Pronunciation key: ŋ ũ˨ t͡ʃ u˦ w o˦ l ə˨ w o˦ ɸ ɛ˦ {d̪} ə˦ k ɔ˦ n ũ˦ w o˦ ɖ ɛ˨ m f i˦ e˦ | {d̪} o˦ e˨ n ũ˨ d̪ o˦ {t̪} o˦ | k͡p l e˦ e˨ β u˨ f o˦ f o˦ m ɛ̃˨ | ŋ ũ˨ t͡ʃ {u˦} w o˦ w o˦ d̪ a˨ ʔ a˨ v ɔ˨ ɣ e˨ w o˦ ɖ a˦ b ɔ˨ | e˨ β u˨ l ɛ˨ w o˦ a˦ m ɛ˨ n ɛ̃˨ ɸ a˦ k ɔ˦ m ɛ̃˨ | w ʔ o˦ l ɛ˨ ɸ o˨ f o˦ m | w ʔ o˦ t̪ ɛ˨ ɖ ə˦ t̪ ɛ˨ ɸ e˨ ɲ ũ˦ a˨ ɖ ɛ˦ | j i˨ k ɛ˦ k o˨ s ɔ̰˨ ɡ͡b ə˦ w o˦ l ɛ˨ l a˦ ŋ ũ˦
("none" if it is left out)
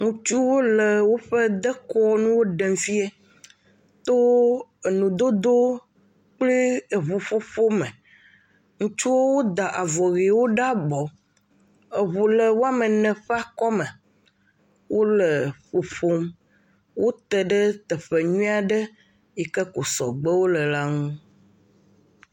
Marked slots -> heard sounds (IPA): d̪, t̪, d̪, u˦

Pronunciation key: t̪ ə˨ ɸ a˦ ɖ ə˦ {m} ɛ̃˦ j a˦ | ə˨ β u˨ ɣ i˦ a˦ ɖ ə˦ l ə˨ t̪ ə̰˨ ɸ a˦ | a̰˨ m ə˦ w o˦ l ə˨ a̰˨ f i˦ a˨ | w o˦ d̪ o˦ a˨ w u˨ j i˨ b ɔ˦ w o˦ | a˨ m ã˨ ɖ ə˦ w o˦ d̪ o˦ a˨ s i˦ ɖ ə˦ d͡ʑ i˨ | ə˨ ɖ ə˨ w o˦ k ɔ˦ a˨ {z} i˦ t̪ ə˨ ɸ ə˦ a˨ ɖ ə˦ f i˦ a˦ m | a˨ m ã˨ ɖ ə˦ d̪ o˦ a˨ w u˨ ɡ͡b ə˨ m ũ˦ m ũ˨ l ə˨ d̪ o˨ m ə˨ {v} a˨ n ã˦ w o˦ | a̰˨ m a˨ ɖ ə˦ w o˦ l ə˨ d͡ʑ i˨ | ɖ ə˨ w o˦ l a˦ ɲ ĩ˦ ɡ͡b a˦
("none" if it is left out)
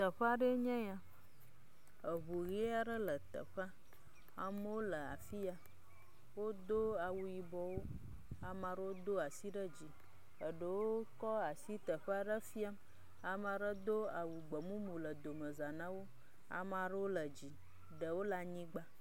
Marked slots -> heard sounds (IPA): ɲ, s, z

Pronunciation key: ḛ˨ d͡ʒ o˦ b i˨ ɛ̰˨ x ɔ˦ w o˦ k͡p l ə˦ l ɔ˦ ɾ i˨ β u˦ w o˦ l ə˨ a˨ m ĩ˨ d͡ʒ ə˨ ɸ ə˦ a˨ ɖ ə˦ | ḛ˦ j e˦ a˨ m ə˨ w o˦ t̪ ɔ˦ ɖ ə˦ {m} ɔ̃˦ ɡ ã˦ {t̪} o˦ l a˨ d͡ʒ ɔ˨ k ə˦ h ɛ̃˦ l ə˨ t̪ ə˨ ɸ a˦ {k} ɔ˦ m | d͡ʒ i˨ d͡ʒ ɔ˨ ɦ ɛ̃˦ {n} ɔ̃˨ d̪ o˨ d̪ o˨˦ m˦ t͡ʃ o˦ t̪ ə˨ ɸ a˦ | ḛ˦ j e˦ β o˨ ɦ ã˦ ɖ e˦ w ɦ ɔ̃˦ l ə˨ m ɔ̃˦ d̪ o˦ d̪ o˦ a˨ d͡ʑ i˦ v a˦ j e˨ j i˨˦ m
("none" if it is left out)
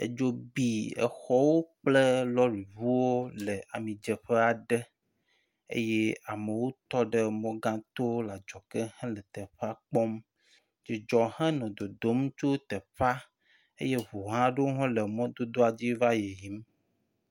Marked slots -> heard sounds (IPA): m, t̪, k͡p, n

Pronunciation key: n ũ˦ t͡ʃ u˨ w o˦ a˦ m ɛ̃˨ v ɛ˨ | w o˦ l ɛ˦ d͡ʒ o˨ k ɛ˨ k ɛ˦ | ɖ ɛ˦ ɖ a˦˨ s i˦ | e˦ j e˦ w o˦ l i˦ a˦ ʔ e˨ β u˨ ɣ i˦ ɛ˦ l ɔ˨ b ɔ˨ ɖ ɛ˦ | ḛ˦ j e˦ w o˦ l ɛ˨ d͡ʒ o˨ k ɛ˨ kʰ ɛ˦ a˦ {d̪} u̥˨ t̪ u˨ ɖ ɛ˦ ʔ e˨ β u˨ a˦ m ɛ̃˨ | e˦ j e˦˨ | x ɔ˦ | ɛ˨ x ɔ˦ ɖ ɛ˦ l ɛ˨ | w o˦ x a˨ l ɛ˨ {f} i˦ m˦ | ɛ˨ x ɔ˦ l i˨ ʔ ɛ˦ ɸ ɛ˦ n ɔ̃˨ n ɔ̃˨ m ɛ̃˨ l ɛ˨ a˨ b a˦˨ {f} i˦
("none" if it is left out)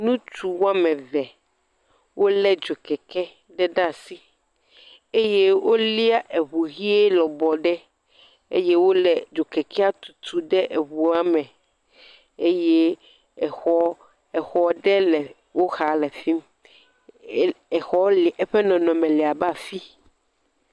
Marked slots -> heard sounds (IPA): t̪, f, f

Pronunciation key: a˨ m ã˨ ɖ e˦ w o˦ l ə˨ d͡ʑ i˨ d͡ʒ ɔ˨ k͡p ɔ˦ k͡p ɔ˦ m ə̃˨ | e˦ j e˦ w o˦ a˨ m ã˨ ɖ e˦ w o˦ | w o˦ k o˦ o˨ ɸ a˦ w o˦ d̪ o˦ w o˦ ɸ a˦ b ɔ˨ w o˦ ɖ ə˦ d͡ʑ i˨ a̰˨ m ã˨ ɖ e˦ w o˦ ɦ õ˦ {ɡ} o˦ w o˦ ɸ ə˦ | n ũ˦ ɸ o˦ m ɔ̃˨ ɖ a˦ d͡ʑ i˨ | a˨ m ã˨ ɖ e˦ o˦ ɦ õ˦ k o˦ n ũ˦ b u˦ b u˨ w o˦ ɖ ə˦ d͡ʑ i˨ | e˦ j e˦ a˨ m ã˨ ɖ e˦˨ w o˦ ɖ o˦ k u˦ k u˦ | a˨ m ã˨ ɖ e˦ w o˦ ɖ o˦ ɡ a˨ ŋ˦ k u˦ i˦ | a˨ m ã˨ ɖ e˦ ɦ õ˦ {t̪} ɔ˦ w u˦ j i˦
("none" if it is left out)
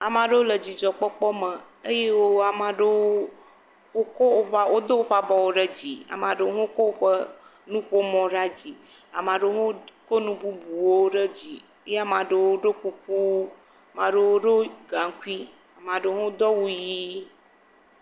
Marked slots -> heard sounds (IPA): k, d̪

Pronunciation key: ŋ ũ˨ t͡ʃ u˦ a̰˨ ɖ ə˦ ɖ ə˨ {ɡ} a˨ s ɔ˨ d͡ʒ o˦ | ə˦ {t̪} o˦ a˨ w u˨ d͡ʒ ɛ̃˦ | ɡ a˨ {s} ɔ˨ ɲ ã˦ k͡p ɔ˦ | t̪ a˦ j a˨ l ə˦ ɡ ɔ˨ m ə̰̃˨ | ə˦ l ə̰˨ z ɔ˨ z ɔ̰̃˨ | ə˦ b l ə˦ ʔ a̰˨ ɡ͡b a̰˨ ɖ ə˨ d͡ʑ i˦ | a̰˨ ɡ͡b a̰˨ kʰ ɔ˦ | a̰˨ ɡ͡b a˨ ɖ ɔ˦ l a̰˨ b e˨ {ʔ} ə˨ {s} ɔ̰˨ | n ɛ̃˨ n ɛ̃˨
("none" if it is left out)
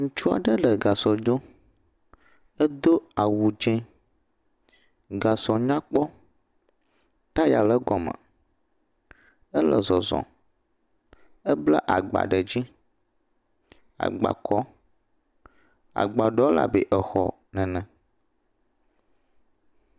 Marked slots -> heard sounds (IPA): ɡ, d̪, s, ʔ, x

